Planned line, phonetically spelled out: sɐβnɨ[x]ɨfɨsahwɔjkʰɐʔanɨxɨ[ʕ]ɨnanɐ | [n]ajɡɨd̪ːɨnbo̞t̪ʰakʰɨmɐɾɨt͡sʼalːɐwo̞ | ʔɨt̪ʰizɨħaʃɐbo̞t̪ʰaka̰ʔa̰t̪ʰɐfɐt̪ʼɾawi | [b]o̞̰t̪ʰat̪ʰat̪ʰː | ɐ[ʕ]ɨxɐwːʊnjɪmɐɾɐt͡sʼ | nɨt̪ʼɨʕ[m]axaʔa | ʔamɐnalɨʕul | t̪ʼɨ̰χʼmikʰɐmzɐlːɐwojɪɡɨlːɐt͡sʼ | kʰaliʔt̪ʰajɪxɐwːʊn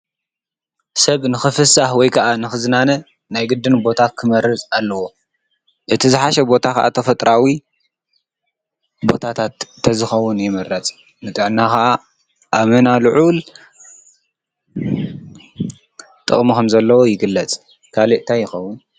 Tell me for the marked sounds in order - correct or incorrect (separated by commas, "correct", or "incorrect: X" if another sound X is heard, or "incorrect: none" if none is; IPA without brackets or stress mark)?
correct, incorrect: z, correct, correct, incorrect: z, incorrect: n